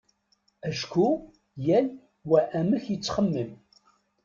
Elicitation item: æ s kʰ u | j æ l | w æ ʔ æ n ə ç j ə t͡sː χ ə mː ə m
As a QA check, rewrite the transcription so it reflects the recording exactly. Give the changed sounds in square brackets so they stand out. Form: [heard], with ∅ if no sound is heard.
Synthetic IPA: æ [ʃ] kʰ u | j æ l | w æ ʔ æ [m] ə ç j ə t͡sː χ ə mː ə m